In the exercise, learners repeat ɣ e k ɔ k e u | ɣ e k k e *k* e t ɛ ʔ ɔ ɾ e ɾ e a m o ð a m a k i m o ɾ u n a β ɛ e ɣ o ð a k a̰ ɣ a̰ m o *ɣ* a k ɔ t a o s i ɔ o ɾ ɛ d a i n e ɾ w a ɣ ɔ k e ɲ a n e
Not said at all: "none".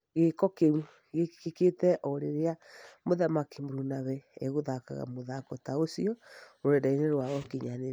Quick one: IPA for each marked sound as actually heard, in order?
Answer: k, ð

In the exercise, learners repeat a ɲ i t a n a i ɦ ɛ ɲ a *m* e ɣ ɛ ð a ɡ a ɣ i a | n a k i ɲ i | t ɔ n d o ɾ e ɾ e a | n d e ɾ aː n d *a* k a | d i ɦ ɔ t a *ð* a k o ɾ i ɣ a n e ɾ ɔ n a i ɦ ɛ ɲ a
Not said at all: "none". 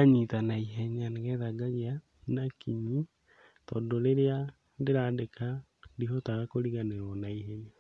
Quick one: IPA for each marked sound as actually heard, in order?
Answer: n, e, ɣ

